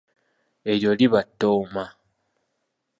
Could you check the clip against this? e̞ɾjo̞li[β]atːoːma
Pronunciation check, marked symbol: correct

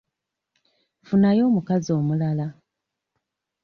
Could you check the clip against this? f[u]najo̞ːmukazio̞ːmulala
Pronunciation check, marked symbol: correct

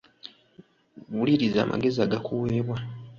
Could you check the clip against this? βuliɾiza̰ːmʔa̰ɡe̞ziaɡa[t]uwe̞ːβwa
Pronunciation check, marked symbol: incorrect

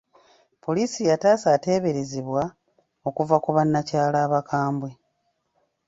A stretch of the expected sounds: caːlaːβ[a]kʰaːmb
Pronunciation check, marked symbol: correct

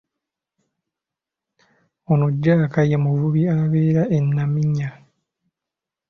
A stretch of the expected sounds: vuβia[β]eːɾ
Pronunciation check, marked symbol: correct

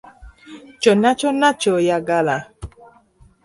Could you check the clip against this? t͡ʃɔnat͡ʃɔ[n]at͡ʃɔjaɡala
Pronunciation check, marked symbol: correct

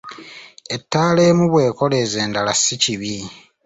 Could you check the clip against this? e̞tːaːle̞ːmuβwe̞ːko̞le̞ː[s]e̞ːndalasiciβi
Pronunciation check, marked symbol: incorrect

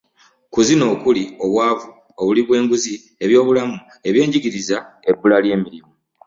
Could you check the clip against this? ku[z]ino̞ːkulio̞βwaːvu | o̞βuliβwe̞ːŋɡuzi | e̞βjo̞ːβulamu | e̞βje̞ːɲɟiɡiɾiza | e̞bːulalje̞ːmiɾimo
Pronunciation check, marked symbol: correct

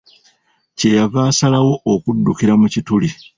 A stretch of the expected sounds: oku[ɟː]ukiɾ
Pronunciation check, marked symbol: incorrect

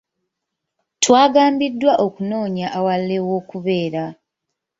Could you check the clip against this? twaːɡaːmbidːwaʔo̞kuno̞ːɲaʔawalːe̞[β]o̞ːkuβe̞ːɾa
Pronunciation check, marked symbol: incorrect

